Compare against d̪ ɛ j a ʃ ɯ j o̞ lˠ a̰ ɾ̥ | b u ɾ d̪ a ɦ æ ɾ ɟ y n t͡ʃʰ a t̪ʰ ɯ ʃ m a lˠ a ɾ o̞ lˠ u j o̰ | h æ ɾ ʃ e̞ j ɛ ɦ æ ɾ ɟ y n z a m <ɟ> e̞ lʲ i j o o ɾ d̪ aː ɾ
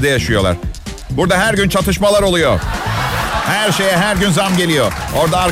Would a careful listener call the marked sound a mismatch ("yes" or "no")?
no